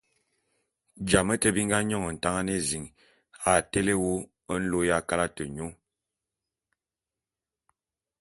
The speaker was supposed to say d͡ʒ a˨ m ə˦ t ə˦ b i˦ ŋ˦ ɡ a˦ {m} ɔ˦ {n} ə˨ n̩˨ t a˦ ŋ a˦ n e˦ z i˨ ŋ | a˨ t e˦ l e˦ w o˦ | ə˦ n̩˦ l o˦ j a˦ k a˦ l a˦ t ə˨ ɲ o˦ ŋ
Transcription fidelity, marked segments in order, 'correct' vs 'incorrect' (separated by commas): incorrect, incorrect